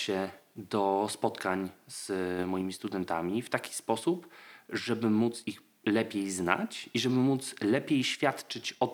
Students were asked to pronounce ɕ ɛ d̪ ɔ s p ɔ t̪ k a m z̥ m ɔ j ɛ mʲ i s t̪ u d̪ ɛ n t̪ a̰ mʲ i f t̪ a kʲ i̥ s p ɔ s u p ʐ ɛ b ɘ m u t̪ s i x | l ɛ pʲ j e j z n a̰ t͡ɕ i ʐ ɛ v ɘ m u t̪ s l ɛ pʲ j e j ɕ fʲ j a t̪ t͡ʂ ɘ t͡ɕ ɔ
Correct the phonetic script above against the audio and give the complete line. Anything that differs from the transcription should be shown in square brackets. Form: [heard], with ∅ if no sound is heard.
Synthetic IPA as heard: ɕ ɛ d̪ ɔ s p ɔ t̪ k a [ɲ] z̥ m ɔ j [i] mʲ i s t̪ u d̪ ɛ n t̪ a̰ mʲ i f t̪ a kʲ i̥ s p ɔ s u p ʐ ɛ b ɘ m u t̪ s i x | l ɛ pʲ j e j z n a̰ t͡ɕ i ʐ ɛ [b] ɘ m u t̪ s l ɛ pʲ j e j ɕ fʲ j a t̪ t͡ʂ ɘ t͡ɕ ɔ